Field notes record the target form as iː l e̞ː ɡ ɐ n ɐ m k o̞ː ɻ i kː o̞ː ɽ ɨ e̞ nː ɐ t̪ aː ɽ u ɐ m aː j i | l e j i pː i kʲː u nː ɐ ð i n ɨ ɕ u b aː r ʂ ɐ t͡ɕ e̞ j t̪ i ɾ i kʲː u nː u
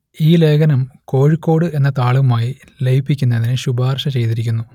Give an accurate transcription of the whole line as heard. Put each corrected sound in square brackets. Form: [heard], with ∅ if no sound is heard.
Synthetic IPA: iː l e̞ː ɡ ɐ n ɐ m k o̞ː ɻ i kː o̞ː ɽ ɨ e̞ nː ɐ t̪ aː [ɭ] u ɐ m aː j i | l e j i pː i kʲː u nː ɐ ð i n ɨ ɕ u b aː r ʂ ɐ t͡ɕ e̞ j t̪ i ɾ i kʲː u nː u